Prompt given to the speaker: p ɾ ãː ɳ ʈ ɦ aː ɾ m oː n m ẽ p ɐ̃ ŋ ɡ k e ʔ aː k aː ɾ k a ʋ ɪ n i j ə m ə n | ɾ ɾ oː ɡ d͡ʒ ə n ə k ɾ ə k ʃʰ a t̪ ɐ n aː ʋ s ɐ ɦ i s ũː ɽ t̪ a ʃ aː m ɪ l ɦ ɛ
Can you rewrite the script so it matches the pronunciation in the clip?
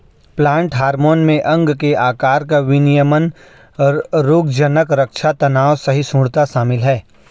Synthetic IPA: p l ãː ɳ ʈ ɦ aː ɾ m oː n m ẽ ʔ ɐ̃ ŋ ɡ k e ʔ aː k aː ɾ k a ʋ ɪ n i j ə m ə n | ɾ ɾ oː ɡ d͡ʒ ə n ə k ɾ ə k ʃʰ a t̪ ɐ n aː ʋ s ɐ ɦ i s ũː ɽ t̪ a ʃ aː m ɪ l ɦ ɛː